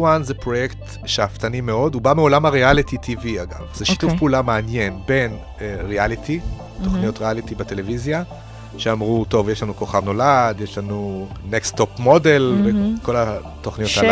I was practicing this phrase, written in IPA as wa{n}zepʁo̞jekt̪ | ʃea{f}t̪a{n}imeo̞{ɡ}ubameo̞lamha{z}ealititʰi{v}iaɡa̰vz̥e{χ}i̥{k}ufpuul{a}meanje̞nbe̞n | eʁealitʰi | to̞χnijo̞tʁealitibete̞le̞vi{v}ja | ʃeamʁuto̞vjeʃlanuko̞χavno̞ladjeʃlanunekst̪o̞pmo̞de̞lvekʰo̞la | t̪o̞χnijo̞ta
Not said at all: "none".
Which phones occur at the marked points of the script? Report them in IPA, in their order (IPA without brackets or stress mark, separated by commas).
n, f, n, d, ʁ, v, ʃ, t, a, z